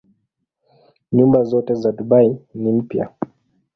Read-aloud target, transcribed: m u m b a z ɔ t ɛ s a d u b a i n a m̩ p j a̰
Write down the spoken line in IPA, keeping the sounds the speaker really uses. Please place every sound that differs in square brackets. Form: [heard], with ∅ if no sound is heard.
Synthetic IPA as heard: [ɲ] u m b a z ɔ t ɛ [z] a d u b a i n [i] m̩ p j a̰

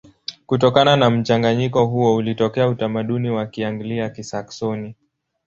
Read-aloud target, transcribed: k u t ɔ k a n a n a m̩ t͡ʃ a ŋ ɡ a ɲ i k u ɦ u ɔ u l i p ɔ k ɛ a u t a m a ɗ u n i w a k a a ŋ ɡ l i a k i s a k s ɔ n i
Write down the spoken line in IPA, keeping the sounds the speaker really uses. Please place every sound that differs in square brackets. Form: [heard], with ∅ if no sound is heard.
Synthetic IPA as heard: k u t ɔ k a n a n a m̩ t͡ʃ a ŋ ɡ a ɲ i k [ɔ] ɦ u ɔ u l i [t] ɔ k ɛ a u t a m a ɗ u n i w a k [i] a ŋ ɡ l i a k i s a k s ɔ n i

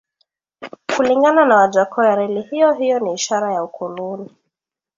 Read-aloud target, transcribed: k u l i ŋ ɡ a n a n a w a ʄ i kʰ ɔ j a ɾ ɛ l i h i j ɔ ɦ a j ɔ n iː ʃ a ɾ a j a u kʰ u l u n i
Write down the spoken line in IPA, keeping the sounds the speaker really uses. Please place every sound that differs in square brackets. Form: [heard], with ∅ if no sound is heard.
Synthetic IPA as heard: k u l i ŋ ɡ a n a n a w a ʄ [a] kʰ ɔ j a ɾ ɛ l i h i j ɔ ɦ [i] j ɔ n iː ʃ a ɾ a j a u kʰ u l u n i

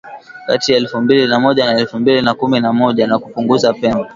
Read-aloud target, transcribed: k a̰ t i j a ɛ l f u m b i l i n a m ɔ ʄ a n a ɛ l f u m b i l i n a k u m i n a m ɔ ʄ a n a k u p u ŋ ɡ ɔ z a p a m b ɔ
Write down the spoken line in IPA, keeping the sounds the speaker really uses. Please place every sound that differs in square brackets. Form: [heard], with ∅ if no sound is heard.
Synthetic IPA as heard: k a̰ t i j a ɛ l f u m b i l i n a m ɔ ʄ a n a ɛ l f u m b i l i n a k u m i n a m ɔ ʄ a n a k u p u ŋ ɡ [u] z a p [ɛ] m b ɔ

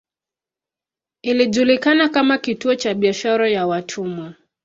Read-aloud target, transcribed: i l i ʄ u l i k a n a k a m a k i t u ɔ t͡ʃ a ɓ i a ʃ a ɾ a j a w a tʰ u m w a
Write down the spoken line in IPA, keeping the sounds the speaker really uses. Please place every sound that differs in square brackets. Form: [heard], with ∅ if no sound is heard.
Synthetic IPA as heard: i l i ʄ u l i k a n a k a m a k i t u ɔ t͡ʃ a ɓ i a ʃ a ɾ a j a w a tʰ u m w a

